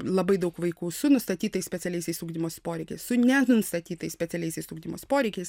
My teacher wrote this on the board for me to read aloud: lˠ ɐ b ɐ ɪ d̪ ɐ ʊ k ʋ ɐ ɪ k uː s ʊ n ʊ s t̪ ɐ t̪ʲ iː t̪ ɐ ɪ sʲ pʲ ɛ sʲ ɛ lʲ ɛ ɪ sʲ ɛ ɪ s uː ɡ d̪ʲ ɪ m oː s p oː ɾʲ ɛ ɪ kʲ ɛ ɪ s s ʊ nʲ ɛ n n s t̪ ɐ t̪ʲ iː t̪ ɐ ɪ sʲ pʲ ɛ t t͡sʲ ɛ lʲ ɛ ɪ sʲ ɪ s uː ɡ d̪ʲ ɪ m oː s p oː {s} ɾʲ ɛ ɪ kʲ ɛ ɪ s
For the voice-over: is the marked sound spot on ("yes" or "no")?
no